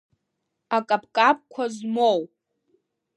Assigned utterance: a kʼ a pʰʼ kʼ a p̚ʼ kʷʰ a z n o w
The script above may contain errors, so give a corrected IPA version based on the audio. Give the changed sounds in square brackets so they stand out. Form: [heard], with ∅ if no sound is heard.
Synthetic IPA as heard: a kʼ a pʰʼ kʼ a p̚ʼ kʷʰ a z [m] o w